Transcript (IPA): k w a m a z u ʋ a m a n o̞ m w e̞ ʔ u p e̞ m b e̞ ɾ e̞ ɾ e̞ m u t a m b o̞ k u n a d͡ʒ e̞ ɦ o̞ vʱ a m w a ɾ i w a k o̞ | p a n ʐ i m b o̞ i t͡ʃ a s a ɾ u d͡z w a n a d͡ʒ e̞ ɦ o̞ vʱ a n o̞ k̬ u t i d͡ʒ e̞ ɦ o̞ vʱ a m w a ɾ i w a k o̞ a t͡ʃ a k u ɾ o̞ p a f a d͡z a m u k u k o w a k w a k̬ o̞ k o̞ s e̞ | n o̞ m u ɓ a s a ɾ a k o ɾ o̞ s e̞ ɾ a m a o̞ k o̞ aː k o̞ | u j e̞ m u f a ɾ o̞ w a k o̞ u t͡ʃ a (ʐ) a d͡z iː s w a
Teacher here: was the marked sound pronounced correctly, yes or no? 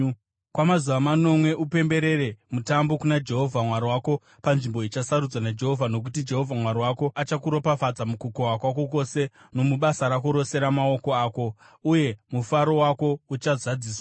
no